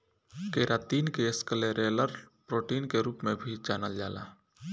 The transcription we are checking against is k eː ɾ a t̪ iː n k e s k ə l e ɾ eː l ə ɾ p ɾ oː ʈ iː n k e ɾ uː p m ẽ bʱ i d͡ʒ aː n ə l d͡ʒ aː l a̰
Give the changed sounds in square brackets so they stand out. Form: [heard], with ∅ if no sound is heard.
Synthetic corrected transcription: k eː ɾ a t̪ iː n k e s k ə l e ɾ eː l ə ɾ p ɾ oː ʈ iː n k e ɾ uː p m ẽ bʱ i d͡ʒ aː n ə l d͡ʒ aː l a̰

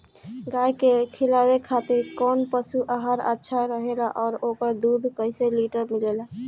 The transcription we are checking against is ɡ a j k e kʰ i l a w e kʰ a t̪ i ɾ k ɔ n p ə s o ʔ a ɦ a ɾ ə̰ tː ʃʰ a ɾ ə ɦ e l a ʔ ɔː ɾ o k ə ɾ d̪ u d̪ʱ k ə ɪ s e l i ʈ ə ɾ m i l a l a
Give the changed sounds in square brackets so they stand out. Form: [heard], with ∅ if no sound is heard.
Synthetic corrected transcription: ɡ a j k e kʰ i l a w e kʰ a t̪ i ɾ k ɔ n p ə s [u] ʔ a ɦ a ɾ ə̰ tː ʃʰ a ɾ ə ɦ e l a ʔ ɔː ɾ o k ə ɾ d̪ u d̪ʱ k ə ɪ s e l i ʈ ə ɾ m i l [e] l a

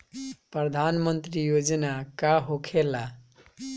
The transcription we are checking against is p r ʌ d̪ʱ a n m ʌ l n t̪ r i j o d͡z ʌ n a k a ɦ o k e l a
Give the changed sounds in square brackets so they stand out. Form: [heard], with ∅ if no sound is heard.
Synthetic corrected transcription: p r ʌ d̪ʱ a n m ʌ [∅] n t̪ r i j o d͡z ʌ n a k a ɦ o [kʰ] e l a

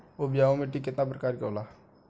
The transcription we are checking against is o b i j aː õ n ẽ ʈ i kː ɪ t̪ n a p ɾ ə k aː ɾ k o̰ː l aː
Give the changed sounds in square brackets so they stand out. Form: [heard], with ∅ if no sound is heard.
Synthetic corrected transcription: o b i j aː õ [m] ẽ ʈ i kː ɪ t̪ n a p ɾ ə k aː ɾ k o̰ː l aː

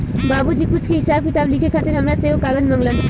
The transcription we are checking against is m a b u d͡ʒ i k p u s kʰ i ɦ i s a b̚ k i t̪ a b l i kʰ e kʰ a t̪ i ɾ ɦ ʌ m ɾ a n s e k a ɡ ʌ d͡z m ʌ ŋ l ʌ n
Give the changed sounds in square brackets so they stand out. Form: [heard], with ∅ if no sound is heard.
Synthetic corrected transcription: [b] a b u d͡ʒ i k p u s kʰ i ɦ i s a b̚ k i t̪ a b l i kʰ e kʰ a t̪ i ɾ ɦ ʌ m ɾ a [∅] s e k a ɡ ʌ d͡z m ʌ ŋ l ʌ n

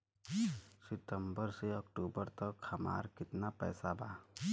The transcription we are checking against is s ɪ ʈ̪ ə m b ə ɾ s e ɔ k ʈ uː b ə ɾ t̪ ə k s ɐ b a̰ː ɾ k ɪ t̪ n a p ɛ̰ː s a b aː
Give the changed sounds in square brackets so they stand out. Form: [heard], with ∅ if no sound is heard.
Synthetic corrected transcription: s ɪ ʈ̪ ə m b ə ɾ s e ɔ k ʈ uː b ə ɾ t̪ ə k [h] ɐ [m] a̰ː ɾ k ɪ t̪ n a p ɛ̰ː s a b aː

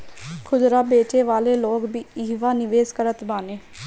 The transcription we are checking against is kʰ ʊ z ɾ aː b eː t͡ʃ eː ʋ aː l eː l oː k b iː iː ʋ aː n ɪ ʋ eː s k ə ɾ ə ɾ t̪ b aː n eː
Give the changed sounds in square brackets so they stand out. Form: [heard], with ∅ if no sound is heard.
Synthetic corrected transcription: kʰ ʊ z ɾ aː b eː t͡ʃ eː ʋ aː l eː l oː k b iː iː ʋ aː n ɪ ʋ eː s k ə ɾ ə [∅] t̪ b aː n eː

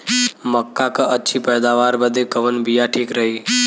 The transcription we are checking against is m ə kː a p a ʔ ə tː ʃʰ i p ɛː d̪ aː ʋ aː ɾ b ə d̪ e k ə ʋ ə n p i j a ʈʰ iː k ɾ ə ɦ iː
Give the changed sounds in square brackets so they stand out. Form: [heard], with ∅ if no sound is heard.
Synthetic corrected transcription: m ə kː a [k] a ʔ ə tː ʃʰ i p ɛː d̪ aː ʋ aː ɾ b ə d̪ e k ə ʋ ə n [b] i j a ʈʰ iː k ɾ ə ɦ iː

